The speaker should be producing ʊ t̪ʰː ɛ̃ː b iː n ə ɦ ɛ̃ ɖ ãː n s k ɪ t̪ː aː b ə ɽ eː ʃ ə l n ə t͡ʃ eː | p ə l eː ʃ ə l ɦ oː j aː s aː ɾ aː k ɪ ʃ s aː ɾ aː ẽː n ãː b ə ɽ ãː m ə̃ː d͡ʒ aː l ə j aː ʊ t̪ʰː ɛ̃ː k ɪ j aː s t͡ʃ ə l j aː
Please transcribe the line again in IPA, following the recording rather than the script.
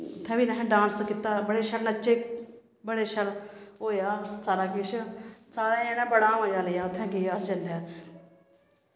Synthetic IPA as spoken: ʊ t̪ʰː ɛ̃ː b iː n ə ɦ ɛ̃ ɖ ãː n s k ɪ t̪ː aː b ə ɽ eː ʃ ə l n ə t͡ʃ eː | b ə ɽ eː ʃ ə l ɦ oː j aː s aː ɾ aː k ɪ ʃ s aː ɾ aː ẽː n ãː b ə ɽ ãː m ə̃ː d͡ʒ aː l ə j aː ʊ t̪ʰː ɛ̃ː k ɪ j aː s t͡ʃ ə l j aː